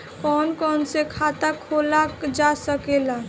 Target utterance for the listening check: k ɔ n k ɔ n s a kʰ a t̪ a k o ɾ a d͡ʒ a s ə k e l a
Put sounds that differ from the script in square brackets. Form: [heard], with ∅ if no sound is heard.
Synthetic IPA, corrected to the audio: k ɔ n k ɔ n s [e] kʰ a t̪ a [kʰ] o [l] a d͡ʒ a s ə k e l a